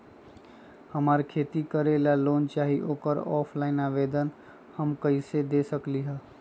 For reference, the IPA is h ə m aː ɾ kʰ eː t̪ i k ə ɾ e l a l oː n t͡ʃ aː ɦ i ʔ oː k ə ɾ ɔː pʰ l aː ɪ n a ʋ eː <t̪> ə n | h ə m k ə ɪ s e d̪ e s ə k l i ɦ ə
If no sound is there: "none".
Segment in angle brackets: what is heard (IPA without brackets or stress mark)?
d̪